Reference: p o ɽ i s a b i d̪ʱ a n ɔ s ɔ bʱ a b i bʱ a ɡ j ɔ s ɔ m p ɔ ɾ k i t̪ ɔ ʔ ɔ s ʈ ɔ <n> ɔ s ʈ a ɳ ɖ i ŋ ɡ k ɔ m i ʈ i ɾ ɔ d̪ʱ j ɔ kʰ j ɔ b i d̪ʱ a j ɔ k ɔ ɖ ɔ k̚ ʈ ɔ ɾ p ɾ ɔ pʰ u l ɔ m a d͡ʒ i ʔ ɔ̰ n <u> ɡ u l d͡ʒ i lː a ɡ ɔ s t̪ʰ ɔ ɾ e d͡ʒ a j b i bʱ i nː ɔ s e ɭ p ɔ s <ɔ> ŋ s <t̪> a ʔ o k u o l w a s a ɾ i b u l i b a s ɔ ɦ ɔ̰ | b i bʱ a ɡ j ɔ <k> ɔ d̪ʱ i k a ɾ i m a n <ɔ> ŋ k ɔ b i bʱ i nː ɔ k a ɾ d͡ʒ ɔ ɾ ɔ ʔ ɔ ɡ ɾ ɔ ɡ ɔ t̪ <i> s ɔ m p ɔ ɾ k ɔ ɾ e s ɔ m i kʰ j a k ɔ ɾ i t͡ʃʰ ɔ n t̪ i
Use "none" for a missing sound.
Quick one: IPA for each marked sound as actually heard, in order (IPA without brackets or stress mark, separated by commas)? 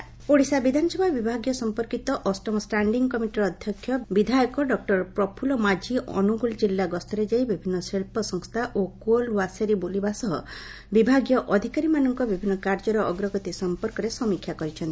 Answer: m, u, ɔ, t̪ʰ, ʔ, ɔ, i